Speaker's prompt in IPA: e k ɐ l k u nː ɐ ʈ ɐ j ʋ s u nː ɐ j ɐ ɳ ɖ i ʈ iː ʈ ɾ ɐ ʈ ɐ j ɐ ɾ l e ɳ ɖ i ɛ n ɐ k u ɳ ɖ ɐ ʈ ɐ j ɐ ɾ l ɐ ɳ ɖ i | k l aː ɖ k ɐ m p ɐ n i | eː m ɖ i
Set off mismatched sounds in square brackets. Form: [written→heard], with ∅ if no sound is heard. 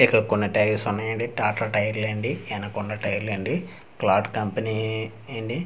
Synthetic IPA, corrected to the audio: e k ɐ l k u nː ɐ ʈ ɐ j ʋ s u nː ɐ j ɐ ɳ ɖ i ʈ [iː→aː] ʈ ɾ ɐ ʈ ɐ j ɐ ɾ l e ɳ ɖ i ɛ n ɐ k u ɳ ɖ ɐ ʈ ɐ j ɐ ɾ l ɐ ɳ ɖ i | k l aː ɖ k ɐ m p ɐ n i | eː [m→ɳ] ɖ i